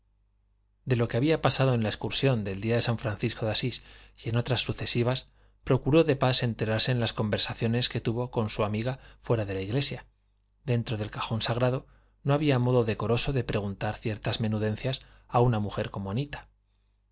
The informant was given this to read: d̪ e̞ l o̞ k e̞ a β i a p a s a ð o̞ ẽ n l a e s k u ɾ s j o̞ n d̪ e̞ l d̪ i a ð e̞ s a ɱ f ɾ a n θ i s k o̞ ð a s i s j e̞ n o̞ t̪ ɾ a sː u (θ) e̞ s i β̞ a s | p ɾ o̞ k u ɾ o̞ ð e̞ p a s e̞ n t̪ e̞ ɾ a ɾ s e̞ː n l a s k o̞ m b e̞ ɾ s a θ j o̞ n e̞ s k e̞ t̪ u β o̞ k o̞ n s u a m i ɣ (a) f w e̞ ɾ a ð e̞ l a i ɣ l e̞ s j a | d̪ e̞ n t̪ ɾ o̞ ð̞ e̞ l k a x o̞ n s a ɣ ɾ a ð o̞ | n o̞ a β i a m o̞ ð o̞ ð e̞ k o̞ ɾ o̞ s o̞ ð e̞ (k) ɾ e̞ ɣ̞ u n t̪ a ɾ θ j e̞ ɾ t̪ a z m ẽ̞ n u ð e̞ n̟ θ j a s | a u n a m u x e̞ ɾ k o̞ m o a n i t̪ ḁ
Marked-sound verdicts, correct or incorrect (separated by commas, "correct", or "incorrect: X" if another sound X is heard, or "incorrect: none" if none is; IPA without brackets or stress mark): correct, correct, incorrect: p